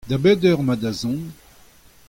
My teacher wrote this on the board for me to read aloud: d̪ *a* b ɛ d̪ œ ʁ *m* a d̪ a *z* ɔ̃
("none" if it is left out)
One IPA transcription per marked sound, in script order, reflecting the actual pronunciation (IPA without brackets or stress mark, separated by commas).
a, m, z